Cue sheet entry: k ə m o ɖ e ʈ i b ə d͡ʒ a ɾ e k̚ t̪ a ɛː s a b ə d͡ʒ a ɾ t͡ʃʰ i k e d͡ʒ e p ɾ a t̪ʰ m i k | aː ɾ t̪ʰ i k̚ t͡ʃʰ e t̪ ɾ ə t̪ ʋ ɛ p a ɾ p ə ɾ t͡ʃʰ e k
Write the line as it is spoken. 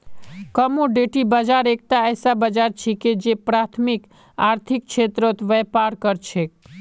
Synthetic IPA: k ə m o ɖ e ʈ i b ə d͡ʒ a ɾ e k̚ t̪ a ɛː s a b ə d͡ʒ a ɾ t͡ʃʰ i k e d͡ʒ e p ɾ a t̪ʰ m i k | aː ɾ t̪ʰ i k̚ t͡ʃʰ e t̪ ɾ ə t̪ ʋ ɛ p a ɾ k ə ɾ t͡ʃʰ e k